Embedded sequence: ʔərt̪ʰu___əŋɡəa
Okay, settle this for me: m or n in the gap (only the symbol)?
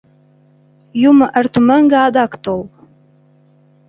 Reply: m